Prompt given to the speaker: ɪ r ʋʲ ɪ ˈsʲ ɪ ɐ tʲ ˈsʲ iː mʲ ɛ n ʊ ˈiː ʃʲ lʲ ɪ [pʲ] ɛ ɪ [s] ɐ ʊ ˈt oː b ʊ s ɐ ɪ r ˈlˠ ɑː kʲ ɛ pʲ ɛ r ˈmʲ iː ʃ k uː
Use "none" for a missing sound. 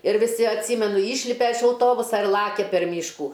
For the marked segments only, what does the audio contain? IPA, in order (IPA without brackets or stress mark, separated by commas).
pʲ, ʃ